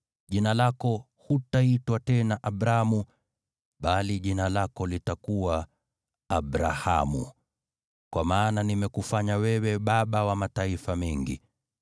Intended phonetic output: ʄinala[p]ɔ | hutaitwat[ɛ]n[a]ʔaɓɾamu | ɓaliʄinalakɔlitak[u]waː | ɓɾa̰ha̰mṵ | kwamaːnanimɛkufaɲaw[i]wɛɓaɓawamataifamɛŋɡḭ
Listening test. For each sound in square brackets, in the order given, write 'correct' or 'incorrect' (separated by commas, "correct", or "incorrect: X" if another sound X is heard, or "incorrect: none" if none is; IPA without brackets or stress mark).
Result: incorrect: k, correct, correct, correct, incorrect: ɛ